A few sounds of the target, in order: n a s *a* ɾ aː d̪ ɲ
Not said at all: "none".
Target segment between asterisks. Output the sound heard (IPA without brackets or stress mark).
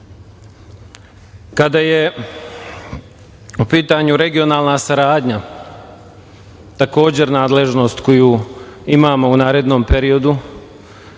a